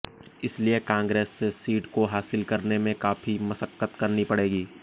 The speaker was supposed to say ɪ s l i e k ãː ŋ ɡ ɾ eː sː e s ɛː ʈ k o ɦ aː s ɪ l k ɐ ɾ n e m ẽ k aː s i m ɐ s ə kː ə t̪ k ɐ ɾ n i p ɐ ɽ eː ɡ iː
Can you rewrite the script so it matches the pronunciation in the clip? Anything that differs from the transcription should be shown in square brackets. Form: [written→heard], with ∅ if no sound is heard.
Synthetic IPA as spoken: ɪ s l i e k ãː ŋ ɡ ɾ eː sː e s [ɛː→iː] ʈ k o ɦ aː s ɪ l k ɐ ɾ n e m ẽ k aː [s→f] i m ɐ s ə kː ə t̪ k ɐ ɾ n i p ɐ ɽ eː ɡ iː